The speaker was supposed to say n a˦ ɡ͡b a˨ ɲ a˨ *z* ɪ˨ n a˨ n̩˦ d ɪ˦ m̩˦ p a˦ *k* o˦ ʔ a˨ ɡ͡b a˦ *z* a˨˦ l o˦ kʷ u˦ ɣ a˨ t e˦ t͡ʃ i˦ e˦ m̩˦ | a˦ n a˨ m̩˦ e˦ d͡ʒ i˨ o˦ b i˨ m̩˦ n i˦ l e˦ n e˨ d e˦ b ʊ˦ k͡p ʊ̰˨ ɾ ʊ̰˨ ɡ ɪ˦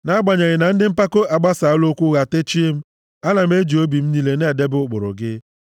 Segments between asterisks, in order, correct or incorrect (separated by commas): incorrect, correct, incorrect